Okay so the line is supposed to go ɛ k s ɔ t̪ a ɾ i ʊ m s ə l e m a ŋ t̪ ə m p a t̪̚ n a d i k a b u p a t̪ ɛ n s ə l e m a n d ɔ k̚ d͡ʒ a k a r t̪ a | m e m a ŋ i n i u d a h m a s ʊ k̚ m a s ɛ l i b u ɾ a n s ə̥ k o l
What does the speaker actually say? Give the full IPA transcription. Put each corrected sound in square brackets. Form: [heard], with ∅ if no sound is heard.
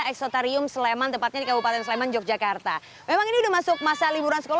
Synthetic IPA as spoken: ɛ k s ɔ t̪ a ɾ i ʊ m s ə l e m a [n] t̪ ə m p a t̪̚ [ɲ] a d i k a b u p a t̪ ɛ n s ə l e m a n [d͡ʒ] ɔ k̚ d͡ʒ a k a r t̪ a | m e m a ŋ i n i u d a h m a s ʊ k̚ m a s [a] l i b u ɾ a n s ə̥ k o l

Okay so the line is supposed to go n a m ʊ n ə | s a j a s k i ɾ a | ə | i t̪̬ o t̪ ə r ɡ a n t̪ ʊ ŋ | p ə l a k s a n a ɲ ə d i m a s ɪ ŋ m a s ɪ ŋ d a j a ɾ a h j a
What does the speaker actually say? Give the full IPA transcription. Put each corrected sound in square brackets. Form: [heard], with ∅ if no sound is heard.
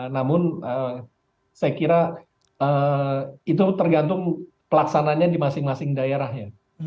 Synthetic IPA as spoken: n a m ʊ n ə | s a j a [∅] k i ɾ a | ə | i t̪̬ [u] t̪ ə r ɡ a n t̪ ʊ ŋ | p ə l a k s a n a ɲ [a] d i m a s ɪ ŋ m a s ɪ ŋ d a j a ɾ a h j a

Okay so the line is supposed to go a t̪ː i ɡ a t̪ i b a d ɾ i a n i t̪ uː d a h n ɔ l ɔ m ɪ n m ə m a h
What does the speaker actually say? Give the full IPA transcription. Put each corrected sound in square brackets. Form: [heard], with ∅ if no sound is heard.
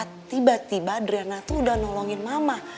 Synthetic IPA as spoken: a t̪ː i [b] a t̪ i b a d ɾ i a n [a] t̪ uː d a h n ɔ l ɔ [ŋ] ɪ n m [a] m a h

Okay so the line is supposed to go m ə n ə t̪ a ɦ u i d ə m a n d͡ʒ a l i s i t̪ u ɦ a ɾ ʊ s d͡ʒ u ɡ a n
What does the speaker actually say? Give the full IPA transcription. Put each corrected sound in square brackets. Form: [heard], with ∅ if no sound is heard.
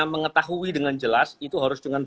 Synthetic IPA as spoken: m ə [ŋ] ə t̪ a ɦ u i d ə [ŋ] a n d͡ʒ [ə] l [a] s i t̪ u ɦ a ɾ ʊ s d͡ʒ u [ŋ] a n

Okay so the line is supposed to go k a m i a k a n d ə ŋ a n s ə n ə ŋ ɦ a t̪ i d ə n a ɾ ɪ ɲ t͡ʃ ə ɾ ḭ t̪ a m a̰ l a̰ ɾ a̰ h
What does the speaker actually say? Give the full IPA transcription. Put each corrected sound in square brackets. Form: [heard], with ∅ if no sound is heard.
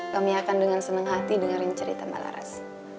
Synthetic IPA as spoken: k a m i a k a n d ə ŋ a n s ə n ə ŋ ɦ a t̪ i d ə [ŋ] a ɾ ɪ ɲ t͡ʃ ə ɾ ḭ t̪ a m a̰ l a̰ ɾ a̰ [s]

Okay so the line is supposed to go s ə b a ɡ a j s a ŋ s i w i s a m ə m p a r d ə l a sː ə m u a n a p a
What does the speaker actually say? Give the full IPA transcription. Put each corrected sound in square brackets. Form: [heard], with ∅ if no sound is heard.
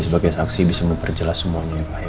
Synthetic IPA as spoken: s ə b a ɡ a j s a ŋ s i [b] i s a m ə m p [ə] r [d͡ʒ] ə l a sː ə m u a [ɲ] a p a

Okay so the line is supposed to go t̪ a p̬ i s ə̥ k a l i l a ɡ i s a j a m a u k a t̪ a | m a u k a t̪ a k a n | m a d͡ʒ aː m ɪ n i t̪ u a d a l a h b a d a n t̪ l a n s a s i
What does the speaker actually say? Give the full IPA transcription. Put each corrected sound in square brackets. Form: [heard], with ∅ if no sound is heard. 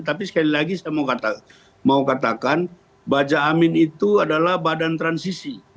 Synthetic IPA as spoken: t̪ a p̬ i s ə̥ k a l i l a ɡ i s a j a m a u k a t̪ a | m a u k a t̪ a k a n | [b] a d͡ʒ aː m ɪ n i t̪ u a d a l a h b a d a n t̪ [ɾ] a n s [i] s i

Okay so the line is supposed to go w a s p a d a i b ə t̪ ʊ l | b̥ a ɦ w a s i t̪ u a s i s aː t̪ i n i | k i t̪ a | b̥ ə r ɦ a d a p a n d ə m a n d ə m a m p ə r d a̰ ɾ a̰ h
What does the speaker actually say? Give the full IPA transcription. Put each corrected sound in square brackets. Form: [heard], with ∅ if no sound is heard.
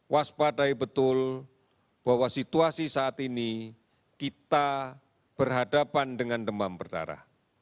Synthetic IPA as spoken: w a s p a d a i b ə t̪ ʊ l | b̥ a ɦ w a s i t̪ u a s i s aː t̪ i n i | k i t̪ a | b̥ ə r ɦ a d a p a n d ə [ŋ] a n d ə m a m p ə r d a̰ ɾ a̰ h

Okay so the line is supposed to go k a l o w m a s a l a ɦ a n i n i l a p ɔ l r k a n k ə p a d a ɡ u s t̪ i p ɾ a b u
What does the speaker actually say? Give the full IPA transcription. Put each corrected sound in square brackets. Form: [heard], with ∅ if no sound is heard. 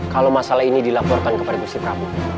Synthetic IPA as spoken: k a l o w m a s a l a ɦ [i] n i [d] i l a p ɔ [∅] r k a n k ə p a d a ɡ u s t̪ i p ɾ a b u

